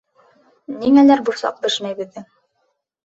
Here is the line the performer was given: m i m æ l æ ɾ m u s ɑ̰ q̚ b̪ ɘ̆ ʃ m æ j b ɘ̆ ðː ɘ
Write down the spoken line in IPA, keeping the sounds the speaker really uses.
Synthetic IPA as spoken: n i ŋ æ l æ ɾ b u s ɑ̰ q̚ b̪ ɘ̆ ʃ m æ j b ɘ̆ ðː ɘ